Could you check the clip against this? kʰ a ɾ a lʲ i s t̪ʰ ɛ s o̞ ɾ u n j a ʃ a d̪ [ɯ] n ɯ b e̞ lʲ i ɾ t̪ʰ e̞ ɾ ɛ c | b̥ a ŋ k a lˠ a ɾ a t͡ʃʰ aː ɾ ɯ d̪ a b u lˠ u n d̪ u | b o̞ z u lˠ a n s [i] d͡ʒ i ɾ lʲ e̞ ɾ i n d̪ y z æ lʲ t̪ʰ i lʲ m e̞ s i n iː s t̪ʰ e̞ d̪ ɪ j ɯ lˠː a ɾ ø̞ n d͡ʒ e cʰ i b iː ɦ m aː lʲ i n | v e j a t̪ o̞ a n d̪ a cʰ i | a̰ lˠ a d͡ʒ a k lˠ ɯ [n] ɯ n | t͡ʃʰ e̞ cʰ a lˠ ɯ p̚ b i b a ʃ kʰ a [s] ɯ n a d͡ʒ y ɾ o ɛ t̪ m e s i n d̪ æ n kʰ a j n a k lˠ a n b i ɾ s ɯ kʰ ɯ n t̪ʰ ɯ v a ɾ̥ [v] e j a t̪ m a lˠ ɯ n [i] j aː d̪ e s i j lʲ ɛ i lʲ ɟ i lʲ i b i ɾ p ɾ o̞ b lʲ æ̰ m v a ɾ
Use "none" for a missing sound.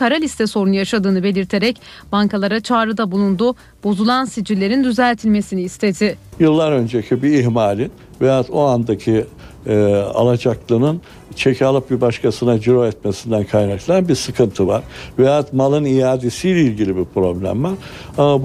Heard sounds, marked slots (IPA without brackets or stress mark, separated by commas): ɯː, i, n, s, v, i